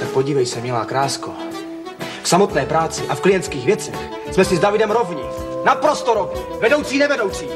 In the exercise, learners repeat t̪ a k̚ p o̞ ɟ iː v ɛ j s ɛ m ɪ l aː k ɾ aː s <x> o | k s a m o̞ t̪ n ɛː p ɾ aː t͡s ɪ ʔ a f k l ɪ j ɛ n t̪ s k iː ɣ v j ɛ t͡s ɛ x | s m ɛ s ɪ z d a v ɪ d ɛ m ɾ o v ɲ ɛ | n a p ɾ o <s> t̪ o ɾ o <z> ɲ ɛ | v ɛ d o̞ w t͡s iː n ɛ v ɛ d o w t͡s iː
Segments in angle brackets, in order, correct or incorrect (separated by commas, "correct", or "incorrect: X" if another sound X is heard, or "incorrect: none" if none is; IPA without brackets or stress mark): incorrect: k, correct, incorrect: v